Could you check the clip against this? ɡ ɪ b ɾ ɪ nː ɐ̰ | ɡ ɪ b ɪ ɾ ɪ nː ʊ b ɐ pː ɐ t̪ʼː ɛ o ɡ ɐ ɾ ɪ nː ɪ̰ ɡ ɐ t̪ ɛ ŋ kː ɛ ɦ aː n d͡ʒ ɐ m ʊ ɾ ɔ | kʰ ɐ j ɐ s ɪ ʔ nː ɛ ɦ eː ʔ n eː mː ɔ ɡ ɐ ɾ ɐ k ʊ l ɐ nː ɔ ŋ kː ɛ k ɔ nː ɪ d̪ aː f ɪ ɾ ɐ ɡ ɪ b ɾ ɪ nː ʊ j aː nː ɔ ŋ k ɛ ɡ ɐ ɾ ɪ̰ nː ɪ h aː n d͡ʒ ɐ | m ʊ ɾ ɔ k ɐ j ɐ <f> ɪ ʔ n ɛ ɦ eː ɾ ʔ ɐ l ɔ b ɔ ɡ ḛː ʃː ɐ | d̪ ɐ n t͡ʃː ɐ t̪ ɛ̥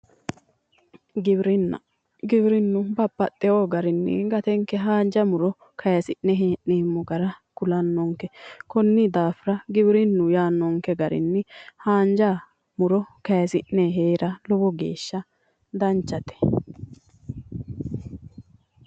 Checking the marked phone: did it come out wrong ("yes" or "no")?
yes